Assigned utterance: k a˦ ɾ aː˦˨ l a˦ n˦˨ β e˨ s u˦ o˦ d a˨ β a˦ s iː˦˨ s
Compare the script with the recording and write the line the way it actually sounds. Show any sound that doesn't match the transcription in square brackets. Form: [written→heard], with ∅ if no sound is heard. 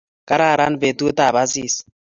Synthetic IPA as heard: k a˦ ɾ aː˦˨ [l→ɾ] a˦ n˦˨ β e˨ [s→t] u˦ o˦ [d→t] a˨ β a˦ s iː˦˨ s